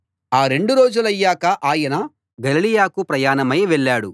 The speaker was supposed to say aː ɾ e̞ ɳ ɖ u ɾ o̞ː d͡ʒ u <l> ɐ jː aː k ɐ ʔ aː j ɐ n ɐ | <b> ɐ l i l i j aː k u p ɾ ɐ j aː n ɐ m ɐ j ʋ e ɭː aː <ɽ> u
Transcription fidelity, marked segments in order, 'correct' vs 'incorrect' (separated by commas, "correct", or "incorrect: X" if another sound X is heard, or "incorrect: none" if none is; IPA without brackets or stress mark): correct, incorrect: ɡ, correct